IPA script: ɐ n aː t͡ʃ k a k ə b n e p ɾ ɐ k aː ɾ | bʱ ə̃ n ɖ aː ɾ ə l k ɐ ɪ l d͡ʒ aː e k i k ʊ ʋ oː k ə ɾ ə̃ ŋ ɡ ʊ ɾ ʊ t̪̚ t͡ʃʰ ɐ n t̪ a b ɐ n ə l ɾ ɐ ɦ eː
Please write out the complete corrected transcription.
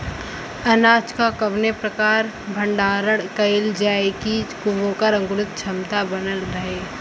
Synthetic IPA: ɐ n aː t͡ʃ k a k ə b n e p ɾ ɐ k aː ɾ | bʱ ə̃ ɳ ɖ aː ɾ ə ɽ k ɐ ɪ l d͡ʒ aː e k i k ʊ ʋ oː k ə ɾ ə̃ ŋ ɡ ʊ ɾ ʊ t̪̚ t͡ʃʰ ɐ m t̪ a b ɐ n ə l ɾ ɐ ɦ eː